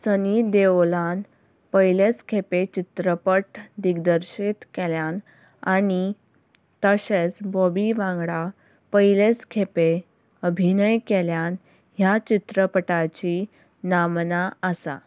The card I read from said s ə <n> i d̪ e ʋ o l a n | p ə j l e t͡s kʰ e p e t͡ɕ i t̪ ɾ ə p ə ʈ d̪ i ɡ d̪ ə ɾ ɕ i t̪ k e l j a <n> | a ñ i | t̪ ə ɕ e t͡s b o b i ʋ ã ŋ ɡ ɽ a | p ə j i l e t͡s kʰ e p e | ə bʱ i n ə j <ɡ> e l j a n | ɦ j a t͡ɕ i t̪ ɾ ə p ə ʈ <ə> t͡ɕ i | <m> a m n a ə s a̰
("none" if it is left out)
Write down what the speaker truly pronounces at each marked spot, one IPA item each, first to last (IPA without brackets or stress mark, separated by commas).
n, n, k, a, n